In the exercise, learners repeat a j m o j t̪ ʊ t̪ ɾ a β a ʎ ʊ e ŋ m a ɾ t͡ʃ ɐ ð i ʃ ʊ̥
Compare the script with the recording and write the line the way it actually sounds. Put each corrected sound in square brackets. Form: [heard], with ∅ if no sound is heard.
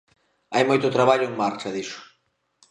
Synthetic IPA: a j m o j t̪ ʊ t̪ ɾ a β a ʎ ʊ e ŋ m a ɾ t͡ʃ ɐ ð i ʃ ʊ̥

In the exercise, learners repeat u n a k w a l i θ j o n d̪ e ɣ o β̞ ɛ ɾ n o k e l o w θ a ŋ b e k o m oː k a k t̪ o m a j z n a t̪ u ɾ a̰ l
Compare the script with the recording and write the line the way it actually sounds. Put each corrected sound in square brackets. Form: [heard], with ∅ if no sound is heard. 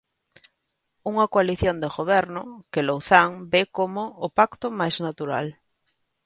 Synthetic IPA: u [ŋ] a k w a l i θ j o n d̪ e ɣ o β̞ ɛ ɾ n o k e l o w θ a ŋ b e k o m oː [p] a k t̪ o m a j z n a t̪ u ɾ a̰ l

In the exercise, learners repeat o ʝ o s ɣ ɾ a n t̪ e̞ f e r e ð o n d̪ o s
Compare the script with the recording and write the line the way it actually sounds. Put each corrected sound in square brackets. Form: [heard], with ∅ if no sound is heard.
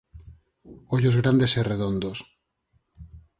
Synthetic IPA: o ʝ o [z] ɣ ɾ a n [d̪] e̞ [s] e r e ð o n d̪ o s

